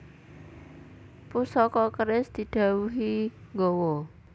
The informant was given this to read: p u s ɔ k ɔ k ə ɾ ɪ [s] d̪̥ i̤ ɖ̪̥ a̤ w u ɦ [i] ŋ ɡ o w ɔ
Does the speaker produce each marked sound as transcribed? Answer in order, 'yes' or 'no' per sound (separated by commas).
yes, yes